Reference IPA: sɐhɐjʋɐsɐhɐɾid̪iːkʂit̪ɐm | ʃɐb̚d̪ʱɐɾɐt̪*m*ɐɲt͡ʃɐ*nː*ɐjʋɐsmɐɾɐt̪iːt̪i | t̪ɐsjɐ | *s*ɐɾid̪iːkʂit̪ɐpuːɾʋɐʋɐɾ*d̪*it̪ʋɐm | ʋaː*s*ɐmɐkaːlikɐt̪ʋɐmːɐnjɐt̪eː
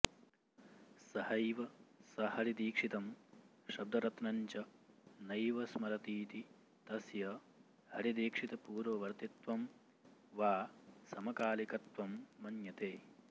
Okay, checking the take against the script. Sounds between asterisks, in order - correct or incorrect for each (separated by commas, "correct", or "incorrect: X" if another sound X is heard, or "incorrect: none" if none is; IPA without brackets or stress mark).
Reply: incorrect: n, incorrect: n, incorrect: h, incorrect: t̪, correct